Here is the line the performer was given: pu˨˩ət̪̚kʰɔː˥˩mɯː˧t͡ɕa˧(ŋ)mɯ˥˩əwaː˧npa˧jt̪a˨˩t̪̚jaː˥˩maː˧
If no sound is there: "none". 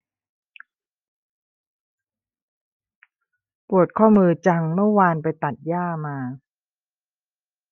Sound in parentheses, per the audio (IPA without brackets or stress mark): ŋ